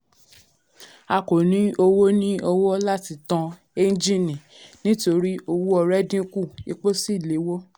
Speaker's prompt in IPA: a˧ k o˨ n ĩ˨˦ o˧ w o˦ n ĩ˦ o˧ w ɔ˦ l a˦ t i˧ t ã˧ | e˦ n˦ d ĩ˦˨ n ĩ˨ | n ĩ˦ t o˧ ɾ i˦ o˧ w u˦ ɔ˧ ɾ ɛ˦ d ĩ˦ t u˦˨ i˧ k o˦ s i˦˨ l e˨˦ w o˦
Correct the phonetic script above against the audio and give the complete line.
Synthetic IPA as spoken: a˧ k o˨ n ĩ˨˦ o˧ w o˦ n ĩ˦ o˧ w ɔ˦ l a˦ t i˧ t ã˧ | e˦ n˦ d͡ʒ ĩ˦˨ n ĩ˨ | n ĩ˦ t o˧ ɾ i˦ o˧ w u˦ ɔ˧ ɾ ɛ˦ d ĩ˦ k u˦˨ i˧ k͡p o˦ s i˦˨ l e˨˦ w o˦